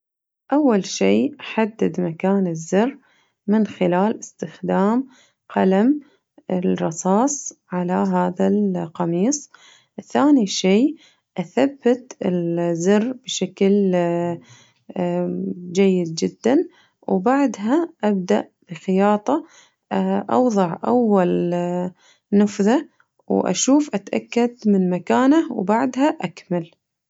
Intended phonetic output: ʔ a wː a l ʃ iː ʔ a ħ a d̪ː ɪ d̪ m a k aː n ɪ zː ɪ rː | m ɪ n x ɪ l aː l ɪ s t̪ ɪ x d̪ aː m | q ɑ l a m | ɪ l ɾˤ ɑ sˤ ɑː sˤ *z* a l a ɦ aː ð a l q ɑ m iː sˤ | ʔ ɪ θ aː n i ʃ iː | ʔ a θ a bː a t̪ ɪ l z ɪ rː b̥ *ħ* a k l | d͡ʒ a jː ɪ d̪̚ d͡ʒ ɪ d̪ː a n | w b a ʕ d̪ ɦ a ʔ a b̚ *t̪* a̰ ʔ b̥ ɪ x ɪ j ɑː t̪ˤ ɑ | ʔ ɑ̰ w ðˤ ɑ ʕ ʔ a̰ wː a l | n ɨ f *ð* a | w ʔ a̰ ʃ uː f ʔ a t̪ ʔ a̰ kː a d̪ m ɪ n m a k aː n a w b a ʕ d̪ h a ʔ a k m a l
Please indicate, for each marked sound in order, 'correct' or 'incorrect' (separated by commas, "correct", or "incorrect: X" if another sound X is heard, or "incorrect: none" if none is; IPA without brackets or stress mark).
incorrect: ʕ, incorrect: ʃ, incorrect: d̪, correct